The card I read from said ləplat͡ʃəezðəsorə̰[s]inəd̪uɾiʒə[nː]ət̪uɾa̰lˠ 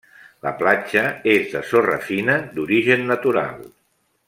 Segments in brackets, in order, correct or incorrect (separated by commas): incorrect, correct